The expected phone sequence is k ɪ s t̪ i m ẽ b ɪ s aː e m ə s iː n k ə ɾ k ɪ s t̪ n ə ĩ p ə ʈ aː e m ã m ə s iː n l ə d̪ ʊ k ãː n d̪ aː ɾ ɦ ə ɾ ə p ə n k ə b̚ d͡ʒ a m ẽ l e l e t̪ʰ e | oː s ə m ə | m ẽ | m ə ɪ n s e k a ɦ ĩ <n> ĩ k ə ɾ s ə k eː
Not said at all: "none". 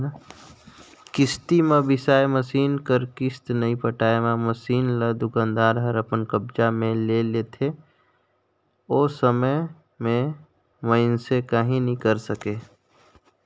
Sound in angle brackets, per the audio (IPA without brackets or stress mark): n